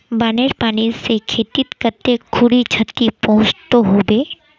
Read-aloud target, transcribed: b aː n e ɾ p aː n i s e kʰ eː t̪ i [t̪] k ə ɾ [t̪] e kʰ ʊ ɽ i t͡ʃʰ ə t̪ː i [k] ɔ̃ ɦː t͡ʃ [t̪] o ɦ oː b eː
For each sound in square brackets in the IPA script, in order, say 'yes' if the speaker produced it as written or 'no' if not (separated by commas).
yes, yes, no, yes